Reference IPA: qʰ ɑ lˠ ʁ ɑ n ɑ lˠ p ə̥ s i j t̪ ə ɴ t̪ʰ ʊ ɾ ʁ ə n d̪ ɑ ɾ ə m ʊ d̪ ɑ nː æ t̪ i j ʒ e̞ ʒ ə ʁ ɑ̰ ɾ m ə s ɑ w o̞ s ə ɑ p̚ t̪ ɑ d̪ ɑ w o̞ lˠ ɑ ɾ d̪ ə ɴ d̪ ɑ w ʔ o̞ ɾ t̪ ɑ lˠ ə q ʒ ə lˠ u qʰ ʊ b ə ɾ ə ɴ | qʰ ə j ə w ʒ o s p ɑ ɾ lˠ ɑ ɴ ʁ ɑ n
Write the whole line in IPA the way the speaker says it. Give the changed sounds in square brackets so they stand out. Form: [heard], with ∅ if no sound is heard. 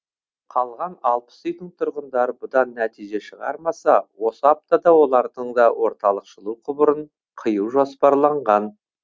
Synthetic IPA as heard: qʰ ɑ lˠ ʁ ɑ n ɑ lˠ p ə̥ s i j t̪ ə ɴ t̪ʰ ʊ ɾ ʁ ə n d̪ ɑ ɾ ə [b] ʊ d̪ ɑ nː æ t̪ i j ʒ e̞ [ʃ] ə ʁ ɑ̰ ɾ m [ɑ] s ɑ w o̞ s ə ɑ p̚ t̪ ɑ d̪ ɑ w o̞ lˠ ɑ ɾ d̪ ə ɴ d̪ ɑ w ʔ o̞ ɾ t̪ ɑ lˠ ə q [ʃ] ə lˠ u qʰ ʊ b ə ɾ ə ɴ | qʰ ə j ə w ʒ o s p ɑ ɾ lˠ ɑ ɴ ʁ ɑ n